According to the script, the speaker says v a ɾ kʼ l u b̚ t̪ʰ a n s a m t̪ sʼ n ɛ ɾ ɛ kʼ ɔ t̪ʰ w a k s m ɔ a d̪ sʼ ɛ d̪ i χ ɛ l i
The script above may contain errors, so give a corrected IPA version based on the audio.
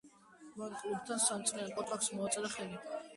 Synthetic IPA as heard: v a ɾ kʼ l u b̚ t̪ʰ a n s a m t̪ sʼ n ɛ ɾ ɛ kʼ ɔ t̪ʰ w a k s m ɔ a t̪ sʼ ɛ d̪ a χ ɛ l i